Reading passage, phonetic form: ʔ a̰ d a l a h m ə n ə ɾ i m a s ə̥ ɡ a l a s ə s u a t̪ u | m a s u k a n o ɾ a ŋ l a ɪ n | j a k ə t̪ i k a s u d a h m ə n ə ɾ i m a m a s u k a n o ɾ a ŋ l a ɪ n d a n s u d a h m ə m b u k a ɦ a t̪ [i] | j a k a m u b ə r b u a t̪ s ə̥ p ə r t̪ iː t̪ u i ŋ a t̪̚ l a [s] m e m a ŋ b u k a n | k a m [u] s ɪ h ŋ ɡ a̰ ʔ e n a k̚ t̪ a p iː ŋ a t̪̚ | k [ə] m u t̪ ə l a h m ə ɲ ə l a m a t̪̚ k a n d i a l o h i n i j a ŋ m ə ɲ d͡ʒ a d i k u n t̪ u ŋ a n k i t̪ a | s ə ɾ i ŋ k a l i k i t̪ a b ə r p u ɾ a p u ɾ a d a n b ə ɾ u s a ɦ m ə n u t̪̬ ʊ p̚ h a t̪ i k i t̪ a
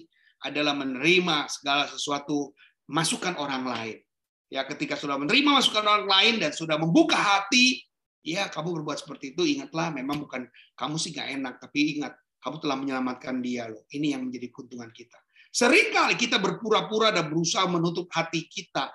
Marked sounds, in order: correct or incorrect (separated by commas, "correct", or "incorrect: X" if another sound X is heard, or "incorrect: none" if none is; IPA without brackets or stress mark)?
correct, incorrect: h, correct, incorrect: a